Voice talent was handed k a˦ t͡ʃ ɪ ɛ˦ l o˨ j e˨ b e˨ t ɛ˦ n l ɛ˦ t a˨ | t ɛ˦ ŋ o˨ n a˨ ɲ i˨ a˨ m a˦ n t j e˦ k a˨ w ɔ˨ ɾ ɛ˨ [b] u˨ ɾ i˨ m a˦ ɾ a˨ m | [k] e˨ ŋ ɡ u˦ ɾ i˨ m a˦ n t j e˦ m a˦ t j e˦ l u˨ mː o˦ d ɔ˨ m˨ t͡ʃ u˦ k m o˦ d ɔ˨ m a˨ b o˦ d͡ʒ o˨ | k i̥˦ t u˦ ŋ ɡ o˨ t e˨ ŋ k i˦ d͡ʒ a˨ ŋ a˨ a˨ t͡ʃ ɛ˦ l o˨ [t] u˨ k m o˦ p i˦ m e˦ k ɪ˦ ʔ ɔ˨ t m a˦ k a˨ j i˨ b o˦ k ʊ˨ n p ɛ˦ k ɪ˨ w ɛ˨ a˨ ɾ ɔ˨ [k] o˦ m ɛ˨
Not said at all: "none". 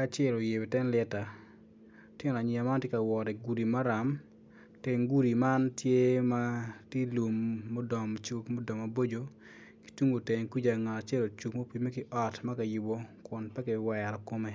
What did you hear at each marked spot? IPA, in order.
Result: ɡ, t, t͡ʃ, k

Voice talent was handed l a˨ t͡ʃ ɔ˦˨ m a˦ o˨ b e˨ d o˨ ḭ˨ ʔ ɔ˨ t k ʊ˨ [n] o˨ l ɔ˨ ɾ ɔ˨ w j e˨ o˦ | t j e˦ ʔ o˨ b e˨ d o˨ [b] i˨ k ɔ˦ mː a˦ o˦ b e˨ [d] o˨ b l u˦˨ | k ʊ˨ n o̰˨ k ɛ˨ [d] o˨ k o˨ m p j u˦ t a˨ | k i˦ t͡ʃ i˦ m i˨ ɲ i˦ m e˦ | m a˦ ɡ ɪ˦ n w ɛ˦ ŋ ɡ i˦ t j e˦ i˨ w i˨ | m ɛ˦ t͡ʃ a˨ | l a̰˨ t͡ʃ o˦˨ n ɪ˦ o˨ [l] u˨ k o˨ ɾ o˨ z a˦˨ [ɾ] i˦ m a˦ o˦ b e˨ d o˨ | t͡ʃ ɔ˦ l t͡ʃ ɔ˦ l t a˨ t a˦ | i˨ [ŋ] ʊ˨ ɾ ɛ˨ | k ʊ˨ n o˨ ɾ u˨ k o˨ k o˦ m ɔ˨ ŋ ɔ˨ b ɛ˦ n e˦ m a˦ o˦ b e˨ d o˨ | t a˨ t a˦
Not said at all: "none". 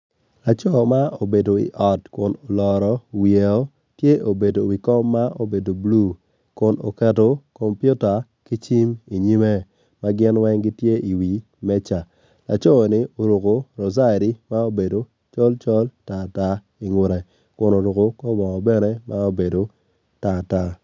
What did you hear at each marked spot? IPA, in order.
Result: n, w, d, t, ɾ, ɾ, ŋ

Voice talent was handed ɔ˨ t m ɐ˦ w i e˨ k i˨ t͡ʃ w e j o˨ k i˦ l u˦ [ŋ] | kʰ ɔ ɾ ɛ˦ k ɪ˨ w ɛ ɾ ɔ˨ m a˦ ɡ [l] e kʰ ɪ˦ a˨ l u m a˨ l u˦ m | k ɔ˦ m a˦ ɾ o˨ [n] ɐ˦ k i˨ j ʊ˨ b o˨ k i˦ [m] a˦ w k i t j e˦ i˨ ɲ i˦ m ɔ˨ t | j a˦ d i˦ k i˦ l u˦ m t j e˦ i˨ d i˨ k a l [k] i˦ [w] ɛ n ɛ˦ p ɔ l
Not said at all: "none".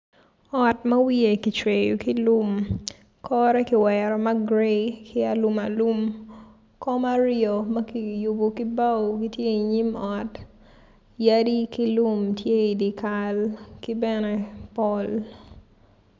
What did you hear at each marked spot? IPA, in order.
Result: m, ɾ, m, b, k, b

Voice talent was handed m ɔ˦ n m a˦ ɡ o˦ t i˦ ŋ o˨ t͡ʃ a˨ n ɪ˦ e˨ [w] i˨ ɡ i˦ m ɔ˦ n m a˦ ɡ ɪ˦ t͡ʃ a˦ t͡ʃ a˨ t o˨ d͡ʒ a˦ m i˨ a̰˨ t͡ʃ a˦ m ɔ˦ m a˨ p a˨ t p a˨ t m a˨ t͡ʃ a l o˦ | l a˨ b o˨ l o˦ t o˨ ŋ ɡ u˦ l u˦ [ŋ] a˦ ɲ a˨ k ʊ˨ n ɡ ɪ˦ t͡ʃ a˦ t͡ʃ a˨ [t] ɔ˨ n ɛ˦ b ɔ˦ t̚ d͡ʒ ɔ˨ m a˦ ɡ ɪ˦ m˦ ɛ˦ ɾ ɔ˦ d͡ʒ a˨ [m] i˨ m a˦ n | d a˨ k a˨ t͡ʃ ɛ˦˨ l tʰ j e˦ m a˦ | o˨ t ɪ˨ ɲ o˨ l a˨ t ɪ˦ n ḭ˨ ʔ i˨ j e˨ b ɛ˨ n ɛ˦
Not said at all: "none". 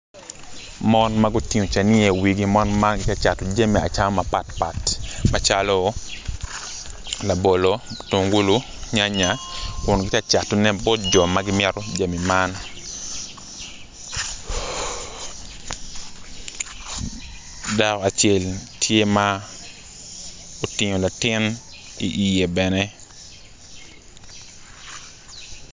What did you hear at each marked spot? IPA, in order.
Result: w, ɲ, t, m

